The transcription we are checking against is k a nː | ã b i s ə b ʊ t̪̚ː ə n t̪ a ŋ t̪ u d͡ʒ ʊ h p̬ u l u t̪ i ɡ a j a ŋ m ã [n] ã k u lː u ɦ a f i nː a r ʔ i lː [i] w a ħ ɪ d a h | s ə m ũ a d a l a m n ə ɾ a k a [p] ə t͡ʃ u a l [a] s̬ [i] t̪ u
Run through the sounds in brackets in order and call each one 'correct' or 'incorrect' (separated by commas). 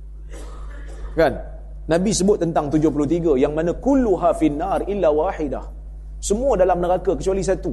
correct, incorrect, incorrect, incorrect, incorrect